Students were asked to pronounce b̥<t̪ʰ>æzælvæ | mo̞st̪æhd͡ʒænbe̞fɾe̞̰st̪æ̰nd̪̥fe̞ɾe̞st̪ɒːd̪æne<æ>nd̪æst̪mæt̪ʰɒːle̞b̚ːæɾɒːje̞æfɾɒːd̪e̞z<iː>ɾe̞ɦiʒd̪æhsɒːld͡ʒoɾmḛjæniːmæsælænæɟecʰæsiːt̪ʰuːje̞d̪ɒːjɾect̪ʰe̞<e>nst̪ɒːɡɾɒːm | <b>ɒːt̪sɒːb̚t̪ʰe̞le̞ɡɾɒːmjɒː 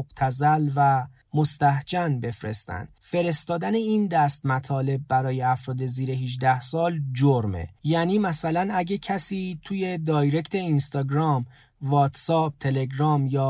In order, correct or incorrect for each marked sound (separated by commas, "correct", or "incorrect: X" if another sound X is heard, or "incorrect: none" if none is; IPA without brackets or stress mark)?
correct, incorrect: i, correct, incorrect: i, incorrect: v